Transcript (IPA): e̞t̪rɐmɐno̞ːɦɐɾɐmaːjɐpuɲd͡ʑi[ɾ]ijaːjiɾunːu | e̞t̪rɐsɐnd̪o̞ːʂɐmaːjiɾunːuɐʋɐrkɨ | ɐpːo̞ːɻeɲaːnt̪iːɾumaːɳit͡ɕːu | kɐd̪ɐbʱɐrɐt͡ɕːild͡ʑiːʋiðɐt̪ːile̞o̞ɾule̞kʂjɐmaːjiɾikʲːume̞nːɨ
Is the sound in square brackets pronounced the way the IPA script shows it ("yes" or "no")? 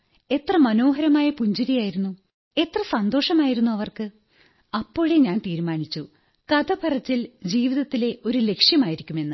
yes